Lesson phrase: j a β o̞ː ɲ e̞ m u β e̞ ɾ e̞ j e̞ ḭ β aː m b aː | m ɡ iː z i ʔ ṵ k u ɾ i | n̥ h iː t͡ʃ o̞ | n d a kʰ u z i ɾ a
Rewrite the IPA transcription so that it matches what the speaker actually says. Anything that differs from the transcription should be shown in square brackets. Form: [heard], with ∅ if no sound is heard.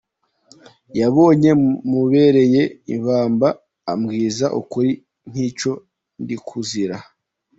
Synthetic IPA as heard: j a β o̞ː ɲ e̞ m u β e̞ ɾ e̞ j e̞ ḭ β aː m b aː | m ɡ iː z [a] ʔ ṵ k u ɾ i | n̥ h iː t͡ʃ o̞ | n d [i] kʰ u z i ɾ a